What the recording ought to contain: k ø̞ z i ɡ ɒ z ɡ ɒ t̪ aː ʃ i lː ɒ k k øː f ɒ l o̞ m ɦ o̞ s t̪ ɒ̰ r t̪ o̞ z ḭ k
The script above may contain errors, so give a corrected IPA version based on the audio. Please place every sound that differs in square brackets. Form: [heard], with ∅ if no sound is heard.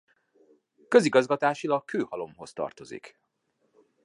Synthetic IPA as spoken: k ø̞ z i ɡ ɒ z ɡ ɒ t̪ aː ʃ i [l] ɒ k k øː [h] ɒ l o̞ m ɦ o̞ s t̪ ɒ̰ r t̪ o̞ z ḭ k

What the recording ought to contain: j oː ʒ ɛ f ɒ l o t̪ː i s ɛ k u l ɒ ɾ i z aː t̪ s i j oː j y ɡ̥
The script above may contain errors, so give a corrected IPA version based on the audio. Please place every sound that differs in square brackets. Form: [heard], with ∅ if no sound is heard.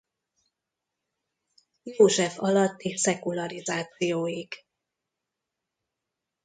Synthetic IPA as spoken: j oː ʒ ɛ f ɒ l [ɒ] t̪ː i s ɛ k u l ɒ ɾ i z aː t̪ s i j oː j [i] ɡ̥

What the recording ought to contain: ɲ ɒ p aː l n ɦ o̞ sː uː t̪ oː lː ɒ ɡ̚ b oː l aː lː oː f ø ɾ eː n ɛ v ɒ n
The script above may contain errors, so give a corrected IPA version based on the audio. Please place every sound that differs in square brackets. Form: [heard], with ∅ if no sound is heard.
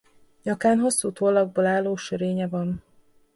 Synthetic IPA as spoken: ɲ ɒ [k] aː [∅] n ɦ o̞ sː uː t̪ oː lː ɒ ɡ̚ b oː l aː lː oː [ʃ] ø ɾ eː [ɲ] ɛ v ɒ n

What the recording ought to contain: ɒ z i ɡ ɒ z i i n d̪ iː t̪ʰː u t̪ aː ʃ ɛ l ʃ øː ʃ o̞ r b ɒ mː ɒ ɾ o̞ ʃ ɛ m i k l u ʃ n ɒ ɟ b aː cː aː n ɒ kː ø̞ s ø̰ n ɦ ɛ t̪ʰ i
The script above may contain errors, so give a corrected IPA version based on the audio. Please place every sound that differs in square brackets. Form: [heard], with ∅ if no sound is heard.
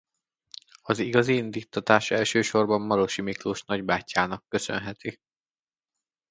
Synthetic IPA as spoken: ɒ z i ɡ ɒ z i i n d̪ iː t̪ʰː [ɒ] t̪ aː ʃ ɛ l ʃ øː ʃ o̞ r b ɒ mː ɒ ɾ o̞ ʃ [i] m i k l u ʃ n ɒ ɟ b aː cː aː n ɒ kː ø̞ s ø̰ n ɦ ɛ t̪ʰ i

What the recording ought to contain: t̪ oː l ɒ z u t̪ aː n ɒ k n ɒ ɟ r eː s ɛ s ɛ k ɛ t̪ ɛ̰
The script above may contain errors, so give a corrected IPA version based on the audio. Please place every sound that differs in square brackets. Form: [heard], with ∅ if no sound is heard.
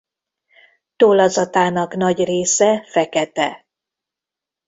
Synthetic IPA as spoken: t̪ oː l ɒ z [ɒ] t̪ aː n ɒ k n ɒ ɟ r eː s ɛ [f] ɛ k ɛ t̪ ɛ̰

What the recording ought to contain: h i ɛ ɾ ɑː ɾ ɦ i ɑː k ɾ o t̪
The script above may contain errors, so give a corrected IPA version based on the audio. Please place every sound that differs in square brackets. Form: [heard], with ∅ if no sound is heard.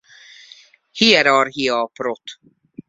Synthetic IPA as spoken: h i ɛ ɾ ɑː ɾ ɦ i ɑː [p] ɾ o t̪

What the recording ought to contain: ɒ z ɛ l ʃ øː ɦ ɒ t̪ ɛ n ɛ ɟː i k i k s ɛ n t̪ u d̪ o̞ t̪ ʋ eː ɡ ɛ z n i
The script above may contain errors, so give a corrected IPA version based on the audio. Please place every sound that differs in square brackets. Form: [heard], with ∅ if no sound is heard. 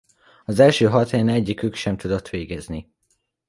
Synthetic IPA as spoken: ɒ z ɛ l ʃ øː ɦ ɒ t̪ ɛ n ɛ ɟː i k [y] k [ʃ] ɛ [m] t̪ u d̪ o̞ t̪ ʋ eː ɡ ɛ z n i

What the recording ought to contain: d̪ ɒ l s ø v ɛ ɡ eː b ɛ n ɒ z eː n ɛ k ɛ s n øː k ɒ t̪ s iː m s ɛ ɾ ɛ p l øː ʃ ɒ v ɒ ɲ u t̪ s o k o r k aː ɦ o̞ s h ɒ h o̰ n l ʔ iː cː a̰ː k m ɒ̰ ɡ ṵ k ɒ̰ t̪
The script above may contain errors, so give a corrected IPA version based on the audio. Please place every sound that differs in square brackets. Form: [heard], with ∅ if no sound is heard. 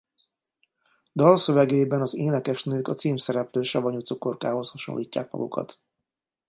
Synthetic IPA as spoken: d̪ ɒ l s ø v ɛ ɡ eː b ɛ n ɒ z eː n ɛ k ɛ [ʃ] n øː k ɒ t̪ s iː m s ɛ ɾ ɛ p l øː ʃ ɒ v ɒ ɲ u t̪ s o k o r k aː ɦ o̞ s h ɒ [ʃ] o̰ n l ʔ iː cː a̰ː k m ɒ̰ ɡ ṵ k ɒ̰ t̪

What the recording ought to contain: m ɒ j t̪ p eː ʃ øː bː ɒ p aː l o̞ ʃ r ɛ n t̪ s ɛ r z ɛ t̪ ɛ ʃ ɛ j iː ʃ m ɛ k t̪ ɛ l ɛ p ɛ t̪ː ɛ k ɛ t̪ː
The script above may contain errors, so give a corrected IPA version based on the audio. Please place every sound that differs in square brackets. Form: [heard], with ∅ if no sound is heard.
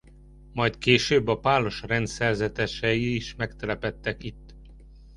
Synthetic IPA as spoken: m ɒ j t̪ [k] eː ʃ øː bː ɒ p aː l o̞ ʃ r ɛ n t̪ s ɛ r z ɛ t̪ ɛ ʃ ɛ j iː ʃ m ɛ k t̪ ɛ l ɛ p ɛ t̪ː ɛ k [i] t̪ː

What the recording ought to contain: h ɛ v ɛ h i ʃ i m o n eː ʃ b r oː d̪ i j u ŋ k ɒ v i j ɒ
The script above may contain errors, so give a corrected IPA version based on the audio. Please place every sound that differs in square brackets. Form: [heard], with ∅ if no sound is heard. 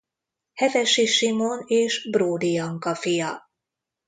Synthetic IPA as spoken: h ɛ v ɛ [ʃ] i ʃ i m o n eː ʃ b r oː d̪ i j [ɒ] ŋ k ɒ [f] i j ɒ

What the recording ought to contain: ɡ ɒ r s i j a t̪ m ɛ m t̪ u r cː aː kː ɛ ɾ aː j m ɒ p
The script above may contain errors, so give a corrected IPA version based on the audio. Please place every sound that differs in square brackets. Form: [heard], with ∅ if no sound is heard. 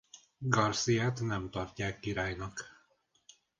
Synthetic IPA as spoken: ɡ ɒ r s i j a t̪ [n] ɛ m t̪ [ɒ] r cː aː kː [i] ɾ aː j [n] ɒ [k]

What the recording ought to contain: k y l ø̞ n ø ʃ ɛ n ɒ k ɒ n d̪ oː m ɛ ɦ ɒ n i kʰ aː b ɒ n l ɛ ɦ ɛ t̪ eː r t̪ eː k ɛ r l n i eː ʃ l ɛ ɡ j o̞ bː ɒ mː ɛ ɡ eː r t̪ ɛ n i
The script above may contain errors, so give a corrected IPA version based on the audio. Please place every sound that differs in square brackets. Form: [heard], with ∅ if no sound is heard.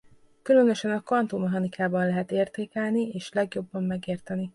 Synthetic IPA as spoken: k y l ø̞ n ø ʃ ɛ n ɒ k ɒ n [t̪] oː m ɛ ɦ ɒ n i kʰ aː b ɒ n l ɛ ɦ ɛ t̪ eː r t̪ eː k ɛ [∅] l n i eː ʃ l ɛ ɡ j o̞ bː ɒ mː ɛ ɡ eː r t̪ ɛ n i

